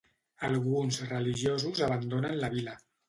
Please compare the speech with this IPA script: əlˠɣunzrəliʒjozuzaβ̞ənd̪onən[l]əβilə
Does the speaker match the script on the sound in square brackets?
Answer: yes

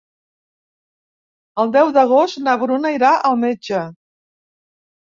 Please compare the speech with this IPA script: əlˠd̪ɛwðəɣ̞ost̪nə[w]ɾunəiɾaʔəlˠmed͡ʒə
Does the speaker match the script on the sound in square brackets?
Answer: no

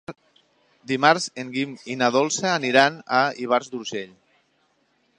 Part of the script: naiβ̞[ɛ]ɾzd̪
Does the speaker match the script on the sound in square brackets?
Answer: no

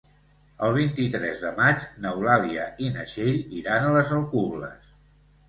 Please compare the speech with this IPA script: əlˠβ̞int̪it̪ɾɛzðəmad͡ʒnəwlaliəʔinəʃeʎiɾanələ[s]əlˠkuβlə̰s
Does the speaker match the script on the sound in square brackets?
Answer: no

